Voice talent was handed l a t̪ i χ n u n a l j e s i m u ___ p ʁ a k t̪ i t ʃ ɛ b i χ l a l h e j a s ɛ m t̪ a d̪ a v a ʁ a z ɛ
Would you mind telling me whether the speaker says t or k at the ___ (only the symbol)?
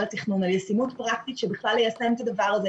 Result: t